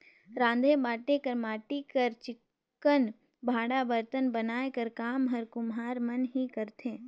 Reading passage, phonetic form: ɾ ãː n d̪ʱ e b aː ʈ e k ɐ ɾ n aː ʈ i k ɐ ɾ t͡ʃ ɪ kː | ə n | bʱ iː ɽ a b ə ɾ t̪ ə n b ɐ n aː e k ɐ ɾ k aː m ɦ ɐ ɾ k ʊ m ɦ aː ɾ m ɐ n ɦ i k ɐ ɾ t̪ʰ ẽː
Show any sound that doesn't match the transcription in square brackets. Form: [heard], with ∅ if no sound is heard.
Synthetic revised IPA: ɾ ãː n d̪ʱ e b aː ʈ e k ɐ ɾ [m] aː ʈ i k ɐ ɾ t͡ʃ ɪ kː | ə n | bʱ [aː] ɽ a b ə ɾ t̪ ə n b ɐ n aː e k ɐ ɾ k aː m ɦ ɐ ɾ k ʊ m ɦ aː ɾ m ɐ n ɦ i k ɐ ɾ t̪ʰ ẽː